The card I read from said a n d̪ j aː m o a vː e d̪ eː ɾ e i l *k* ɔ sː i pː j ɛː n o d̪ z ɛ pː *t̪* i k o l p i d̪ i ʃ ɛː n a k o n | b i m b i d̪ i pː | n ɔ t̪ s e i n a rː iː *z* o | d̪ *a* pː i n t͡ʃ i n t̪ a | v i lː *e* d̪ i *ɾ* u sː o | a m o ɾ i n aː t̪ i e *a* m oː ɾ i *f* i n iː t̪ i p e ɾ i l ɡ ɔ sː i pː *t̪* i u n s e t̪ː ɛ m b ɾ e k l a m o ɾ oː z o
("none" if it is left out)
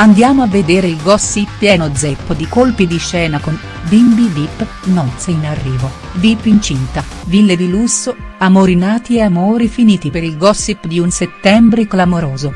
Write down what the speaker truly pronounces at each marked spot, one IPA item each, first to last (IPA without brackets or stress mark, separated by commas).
ɡ, d̪, v, i, e, l, a, f, d̪